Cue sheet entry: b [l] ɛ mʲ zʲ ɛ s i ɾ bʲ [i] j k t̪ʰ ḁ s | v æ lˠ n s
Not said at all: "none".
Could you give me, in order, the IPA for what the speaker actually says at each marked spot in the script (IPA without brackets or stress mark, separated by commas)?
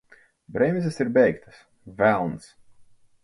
ɾ, ɛ